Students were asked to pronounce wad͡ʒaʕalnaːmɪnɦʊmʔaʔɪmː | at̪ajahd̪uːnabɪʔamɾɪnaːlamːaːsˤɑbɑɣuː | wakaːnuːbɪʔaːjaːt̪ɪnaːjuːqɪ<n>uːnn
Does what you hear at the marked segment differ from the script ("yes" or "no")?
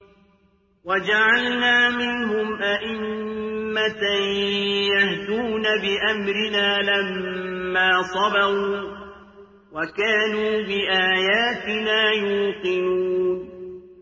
no